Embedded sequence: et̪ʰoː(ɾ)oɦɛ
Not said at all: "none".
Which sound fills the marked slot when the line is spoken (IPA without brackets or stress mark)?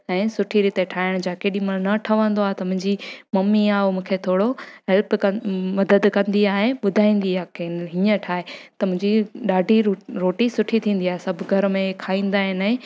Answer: ɽ